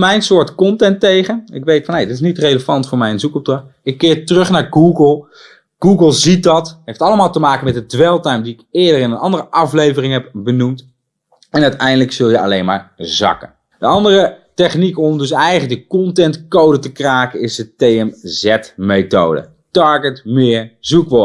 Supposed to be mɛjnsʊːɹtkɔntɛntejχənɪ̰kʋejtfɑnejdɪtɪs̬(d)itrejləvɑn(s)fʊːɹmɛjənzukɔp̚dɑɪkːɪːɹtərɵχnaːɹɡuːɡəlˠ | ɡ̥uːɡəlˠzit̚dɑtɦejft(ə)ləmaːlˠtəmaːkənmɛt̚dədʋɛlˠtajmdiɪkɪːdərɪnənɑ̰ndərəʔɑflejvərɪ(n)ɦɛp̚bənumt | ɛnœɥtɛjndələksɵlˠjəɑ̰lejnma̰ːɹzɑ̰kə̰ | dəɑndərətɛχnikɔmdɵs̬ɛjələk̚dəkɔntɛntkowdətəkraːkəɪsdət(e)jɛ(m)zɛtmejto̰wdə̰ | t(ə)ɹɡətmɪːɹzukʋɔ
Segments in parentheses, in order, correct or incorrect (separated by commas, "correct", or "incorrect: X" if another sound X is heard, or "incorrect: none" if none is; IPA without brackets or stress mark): incorrect: n, incorrect: t, incorrect: ɑ, incorrect: ŋ, correct, correct, incorrect: ɑ